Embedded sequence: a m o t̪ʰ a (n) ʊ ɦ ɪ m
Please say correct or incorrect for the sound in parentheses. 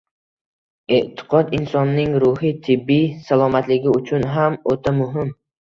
incorrect: m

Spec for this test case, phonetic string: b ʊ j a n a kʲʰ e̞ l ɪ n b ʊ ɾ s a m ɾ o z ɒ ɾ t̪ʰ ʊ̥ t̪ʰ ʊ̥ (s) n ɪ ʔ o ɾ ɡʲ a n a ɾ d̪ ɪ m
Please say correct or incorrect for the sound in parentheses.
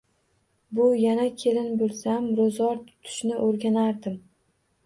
incorrect: ʃ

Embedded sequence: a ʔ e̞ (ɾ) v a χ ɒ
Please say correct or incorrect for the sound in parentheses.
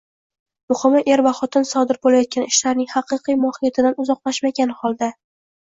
correct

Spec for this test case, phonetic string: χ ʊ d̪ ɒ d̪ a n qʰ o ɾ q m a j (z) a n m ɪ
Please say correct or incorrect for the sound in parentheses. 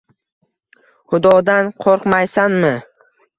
incorrect: s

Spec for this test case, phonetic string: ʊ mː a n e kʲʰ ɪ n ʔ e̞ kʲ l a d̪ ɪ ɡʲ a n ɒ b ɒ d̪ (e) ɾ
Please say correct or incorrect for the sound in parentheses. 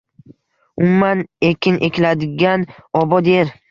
correct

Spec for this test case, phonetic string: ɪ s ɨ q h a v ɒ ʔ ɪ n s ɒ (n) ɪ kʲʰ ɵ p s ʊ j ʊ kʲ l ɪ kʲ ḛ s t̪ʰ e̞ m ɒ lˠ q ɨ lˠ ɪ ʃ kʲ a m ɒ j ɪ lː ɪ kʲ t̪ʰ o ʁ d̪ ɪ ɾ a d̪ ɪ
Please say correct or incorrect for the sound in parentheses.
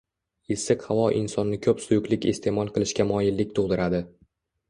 incorrect: nː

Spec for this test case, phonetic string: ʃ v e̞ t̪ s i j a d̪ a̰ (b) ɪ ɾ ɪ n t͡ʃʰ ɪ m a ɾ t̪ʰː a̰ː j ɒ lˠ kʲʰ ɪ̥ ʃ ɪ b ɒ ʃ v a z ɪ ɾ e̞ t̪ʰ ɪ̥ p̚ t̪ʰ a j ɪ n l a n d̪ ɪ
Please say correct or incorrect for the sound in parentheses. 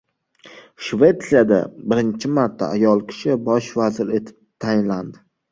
correct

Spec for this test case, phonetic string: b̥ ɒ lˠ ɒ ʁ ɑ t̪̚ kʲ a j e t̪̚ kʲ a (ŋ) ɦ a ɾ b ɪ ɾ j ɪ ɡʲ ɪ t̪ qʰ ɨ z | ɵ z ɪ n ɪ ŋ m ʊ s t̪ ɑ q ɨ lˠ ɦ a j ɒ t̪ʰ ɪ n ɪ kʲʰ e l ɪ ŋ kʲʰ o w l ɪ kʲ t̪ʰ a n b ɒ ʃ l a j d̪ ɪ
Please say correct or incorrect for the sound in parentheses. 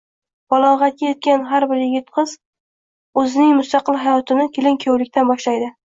incorrect: n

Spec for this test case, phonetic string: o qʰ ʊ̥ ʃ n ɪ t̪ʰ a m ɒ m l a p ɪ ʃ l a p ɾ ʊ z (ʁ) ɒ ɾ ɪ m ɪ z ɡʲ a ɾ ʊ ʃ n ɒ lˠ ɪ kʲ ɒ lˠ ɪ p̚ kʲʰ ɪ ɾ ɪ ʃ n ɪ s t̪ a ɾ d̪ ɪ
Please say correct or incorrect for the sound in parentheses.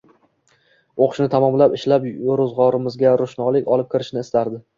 correct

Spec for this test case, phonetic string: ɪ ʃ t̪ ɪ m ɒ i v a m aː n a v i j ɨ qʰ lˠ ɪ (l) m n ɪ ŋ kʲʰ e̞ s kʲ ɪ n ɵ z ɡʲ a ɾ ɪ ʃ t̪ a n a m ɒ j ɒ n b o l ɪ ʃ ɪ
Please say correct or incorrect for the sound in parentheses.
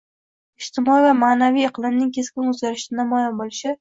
incorrect: none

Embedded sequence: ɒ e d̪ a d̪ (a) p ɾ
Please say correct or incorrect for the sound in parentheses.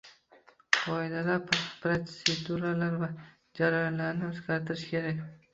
correct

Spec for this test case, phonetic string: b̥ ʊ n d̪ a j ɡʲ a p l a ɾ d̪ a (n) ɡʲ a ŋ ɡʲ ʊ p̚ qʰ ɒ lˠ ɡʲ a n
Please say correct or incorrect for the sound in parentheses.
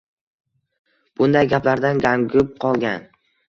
correct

